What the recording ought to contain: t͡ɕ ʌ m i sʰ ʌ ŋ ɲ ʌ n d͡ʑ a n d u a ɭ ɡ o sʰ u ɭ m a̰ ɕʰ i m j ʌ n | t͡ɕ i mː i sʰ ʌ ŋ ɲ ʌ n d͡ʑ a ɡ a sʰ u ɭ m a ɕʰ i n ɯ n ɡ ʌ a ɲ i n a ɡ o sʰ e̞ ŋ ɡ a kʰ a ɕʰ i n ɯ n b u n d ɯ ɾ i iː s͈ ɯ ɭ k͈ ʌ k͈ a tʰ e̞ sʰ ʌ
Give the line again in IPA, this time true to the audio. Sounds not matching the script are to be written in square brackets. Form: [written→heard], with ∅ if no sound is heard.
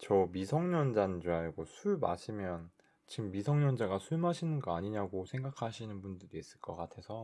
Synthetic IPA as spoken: t͡ɕ ʌ m i sʰ ʌ ŋ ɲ ʌ n d͡ʑ a n [d→d͡ʑ] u a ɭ ɡ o sʰ u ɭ m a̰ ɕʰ i m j ʌ n | t͡ɕ i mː i sʰ ʌ ŋ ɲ ʌ n d͡ʑ a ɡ a sʰ u ɭ m a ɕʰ i n ɯ n ɡ ʌ a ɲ i [n→ɲ] a ɡ o sʰ e̞ ŋ ɡ a kʰ a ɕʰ i n ɯ n b u n d ɯ ɾ i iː s͈ ɯ ɭ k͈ ʌ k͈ a tʰ e̞ sʰ ʌ